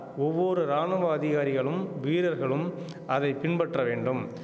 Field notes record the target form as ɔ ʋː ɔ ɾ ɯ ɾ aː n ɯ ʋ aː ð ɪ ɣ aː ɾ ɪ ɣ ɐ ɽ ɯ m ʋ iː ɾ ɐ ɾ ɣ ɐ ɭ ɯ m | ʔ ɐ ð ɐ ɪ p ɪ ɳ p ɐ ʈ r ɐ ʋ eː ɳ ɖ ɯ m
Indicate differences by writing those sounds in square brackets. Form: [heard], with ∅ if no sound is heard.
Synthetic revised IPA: ɔ ʋː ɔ ɾ ɯ ɾ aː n ɯ ʋ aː ð ɪ ɣ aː ɾ ɪ ɣ ɐ [ɭ] ɯ m ʋ iː ɾ ɐ ɾ ɣ ɐ ɭ ɯ m | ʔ ɐ ð ɐ ɪ p ɪ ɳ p ɐ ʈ r ɐ ʋ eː ɳ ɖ ɯ m